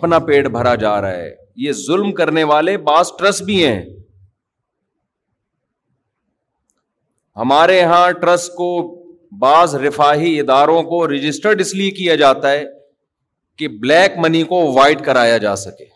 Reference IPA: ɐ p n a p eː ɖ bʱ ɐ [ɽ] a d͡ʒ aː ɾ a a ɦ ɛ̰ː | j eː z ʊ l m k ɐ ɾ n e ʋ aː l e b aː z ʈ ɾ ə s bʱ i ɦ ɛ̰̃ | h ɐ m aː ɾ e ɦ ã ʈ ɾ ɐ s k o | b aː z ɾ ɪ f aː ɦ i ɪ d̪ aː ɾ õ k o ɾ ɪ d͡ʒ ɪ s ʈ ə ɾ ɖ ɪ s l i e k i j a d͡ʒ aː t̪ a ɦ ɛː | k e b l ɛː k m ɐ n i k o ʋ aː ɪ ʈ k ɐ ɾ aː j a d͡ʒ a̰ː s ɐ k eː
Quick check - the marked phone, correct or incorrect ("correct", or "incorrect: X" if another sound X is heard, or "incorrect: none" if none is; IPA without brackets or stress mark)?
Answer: incorrect: ɾ